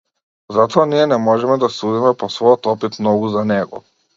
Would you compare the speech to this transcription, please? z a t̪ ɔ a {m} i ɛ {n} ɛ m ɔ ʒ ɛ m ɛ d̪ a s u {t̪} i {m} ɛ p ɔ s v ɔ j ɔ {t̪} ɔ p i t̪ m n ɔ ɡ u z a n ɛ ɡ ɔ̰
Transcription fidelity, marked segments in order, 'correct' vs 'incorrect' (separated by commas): incorrect, correct, incorrect, correct, correct